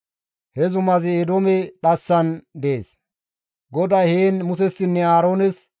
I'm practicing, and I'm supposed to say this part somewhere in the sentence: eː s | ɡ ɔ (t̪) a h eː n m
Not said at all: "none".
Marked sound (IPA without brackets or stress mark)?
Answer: d̪